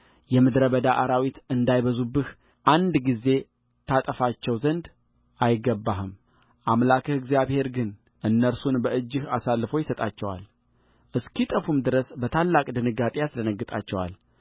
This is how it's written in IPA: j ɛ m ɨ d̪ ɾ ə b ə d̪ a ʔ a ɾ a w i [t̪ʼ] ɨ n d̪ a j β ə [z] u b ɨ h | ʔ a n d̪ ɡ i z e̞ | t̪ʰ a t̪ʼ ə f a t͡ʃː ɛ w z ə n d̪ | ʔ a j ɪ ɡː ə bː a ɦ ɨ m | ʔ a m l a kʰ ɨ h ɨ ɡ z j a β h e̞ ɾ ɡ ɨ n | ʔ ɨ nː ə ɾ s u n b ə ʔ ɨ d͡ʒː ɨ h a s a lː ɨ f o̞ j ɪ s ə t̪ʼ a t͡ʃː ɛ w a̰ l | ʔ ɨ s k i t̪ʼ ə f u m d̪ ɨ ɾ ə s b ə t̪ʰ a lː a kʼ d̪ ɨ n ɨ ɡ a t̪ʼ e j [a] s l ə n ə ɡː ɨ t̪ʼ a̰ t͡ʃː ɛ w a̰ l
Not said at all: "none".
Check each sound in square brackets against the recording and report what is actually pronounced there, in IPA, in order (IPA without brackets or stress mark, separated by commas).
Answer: t̪, z, a